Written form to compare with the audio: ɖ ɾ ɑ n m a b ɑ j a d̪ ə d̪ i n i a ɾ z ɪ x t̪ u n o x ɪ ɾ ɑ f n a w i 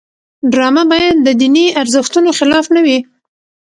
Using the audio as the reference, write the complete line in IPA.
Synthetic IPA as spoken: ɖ ɾ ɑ m a b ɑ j a d̪ː ə d̪ i n i a ɾ z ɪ x t̪ u n o x ɪ l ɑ f n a w i